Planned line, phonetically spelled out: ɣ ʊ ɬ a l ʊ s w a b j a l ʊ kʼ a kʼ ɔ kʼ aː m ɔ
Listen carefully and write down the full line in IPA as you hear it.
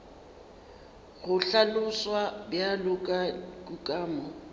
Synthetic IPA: ɣ ʊ ɬ a l ʊ s w a b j a l ʊ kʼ a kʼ u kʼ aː m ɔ